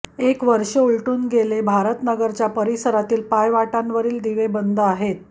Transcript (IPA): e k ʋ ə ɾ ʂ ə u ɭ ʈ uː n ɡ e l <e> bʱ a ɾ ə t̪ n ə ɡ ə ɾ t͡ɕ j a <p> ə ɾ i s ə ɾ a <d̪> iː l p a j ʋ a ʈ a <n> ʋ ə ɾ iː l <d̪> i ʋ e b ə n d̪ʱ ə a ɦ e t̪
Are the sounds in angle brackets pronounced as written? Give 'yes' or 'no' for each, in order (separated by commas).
yes, yes, no, yes, yes